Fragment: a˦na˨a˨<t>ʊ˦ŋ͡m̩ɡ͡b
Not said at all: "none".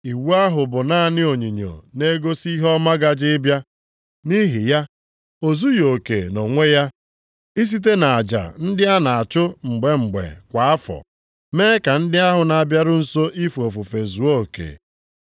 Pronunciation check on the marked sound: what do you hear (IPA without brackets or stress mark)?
t͡ʃ